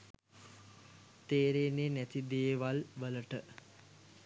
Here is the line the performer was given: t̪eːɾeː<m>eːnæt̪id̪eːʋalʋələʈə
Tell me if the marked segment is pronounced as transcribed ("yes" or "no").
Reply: no